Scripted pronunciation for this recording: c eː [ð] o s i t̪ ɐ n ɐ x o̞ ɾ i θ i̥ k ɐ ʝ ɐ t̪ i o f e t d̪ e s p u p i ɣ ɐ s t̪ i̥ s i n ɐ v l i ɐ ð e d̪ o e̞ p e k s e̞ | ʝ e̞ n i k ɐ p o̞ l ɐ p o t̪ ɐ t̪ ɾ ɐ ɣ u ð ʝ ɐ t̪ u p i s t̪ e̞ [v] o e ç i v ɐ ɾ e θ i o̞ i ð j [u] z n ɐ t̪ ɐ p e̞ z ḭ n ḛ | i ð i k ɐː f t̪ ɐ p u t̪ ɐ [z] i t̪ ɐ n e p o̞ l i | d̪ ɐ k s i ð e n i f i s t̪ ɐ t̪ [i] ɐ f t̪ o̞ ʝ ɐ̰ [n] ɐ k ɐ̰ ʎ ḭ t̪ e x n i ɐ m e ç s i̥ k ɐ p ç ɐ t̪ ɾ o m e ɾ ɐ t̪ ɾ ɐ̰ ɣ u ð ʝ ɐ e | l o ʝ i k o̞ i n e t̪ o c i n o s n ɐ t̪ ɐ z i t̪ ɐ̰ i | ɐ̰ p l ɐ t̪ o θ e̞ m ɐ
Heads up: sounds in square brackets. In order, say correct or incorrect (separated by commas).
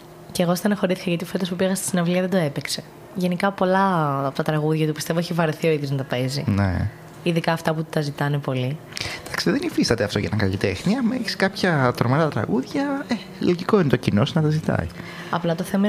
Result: incorrect, correct, incorrect, correct, incorrect, correct